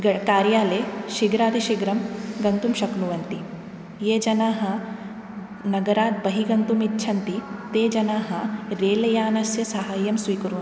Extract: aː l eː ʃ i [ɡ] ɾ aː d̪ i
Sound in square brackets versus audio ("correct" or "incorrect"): correct